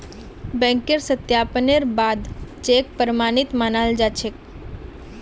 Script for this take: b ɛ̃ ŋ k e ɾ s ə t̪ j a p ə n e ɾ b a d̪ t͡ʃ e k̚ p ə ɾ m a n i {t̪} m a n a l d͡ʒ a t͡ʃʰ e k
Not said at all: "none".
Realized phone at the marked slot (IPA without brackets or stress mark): t̪